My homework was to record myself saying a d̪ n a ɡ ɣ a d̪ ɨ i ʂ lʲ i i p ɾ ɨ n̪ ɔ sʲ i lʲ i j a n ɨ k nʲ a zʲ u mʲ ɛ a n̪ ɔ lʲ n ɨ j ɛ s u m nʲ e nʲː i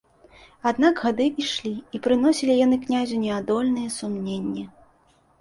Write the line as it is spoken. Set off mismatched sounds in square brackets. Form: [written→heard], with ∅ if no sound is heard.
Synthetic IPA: a d̪ n a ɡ ɣ a d̪ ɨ i ʂ lʲ i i p ɾ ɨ n̪ ɔ sʲ i lʲ i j a n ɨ k nʲ a zʲ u [mʲ→nʲ] ɛ a [n̪→d̪] ɔ lʲ n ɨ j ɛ s u m nʲ e nʲː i